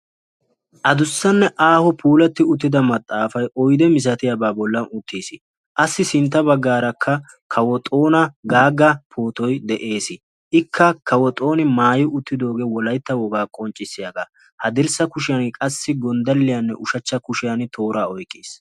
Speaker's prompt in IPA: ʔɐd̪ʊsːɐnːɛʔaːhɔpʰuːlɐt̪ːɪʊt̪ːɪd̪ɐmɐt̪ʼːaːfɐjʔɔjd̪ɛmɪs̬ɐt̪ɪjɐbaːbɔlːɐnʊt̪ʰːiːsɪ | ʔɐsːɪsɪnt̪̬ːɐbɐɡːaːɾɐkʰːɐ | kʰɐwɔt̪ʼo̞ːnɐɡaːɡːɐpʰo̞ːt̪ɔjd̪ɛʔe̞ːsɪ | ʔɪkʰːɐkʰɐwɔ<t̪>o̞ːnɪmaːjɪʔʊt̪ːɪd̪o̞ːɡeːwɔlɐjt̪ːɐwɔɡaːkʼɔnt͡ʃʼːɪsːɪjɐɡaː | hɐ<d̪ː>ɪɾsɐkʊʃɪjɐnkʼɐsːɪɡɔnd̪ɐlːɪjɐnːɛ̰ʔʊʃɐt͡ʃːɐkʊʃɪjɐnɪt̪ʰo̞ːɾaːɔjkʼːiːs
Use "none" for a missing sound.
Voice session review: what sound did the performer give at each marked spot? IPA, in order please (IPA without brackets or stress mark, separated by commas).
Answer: t̪ʼ, d̪